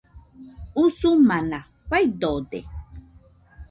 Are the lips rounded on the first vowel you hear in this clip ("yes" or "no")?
yes